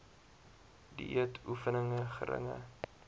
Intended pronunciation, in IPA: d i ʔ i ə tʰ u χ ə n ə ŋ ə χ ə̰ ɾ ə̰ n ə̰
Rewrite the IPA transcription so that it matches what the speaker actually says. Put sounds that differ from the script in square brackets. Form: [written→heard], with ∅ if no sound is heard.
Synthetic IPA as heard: d i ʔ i ə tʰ u [χ→f] ə n ə ŋ ə χ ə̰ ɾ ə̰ [n→ŋ] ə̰